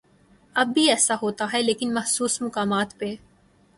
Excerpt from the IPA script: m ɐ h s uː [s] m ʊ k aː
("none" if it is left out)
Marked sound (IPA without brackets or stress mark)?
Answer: s